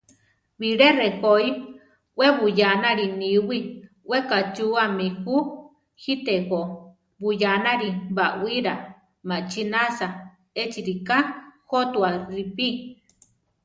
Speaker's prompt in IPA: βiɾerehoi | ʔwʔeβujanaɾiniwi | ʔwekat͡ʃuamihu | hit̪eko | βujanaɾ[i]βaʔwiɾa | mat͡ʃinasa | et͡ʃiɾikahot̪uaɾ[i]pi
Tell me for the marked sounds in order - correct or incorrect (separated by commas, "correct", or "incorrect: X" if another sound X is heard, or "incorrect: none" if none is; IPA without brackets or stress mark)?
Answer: correct, correct